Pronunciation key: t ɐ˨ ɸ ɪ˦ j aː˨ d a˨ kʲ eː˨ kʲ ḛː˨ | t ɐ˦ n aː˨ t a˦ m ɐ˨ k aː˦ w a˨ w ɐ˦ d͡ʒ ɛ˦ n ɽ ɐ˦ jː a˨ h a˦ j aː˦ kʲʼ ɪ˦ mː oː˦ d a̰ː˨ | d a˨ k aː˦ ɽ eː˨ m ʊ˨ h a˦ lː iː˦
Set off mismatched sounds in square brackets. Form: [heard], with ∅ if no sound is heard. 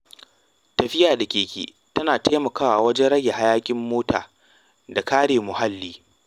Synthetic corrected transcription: t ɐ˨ ɸ ɪ˦ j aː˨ d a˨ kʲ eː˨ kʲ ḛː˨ | t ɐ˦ n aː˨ t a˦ m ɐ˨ k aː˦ w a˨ w ɐ˦ d͡ʒ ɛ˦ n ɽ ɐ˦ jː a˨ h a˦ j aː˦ kʲʼ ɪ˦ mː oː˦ [t] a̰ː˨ | d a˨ k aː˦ ɽ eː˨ m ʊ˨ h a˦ lː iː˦